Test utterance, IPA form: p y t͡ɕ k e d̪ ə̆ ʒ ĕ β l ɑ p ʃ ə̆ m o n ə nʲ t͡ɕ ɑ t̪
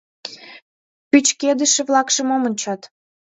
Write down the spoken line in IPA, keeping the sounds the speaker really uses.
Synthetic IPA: p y t͡ɕ k e d̪ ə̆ ʃ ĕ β l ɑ k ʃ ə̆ m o m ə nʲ t͡ɕ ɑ t̪